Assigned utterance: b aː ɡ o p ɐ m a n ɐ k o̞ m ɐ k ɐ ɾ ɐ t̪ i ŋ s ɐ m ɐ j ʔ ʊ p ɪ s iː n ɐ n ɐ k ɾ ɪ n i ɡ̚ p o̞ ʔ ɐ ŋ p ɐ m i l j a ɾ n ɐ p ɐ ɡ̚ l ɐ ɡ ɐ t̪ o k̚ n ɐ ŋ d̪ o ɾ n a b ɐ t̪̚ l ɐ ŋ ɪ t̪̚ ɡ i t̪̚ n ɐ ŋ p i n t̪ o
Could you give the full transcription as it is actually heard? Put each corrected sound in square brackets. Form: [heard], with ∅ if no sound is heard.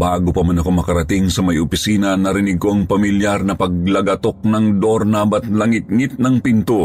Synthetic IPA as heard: b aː ɡ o p ɐ m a n ɐ k o̞ m ɐ k ɐ ɾ ɐ t̪ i ŋ s ɐ m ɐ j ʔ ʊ p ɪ s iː n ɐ n ɐ [∅] ɾ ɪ n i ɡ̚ [k] o̞ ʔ ɐ ŋ p ɐ m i l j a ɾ n ɐ p ɐ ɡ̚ l ɐ ɡ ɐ t̪ o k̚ n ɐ ŋ d̪ o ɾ n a b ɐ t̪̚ l ɐ ŋ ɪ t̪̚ [ŋ] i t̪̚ n ɐ ŋ p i n t̪ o